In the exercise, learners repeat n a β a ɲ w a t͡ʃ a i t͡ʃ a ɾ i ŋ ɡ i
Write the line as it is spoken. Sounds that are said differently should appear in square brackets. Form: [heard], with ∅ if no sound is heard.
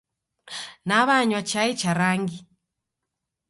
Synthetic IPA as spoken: n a β a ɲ w a t͡ʃ a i t͡ʃ a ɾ [a] ŋ ɡ i